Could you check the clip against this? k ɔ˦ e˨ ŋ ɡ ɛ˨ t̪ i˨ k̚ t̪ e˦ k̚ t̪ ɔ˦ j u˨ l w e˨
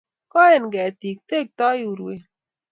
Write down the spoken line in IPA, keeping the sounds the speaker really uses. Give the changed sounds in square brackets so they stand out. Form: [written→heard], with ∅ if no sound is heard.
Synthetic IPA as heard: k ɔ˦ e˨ [ŋ→n] ɡ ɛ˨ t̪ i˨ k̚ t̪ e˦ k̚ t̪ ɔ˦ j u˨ [l→ɾ] w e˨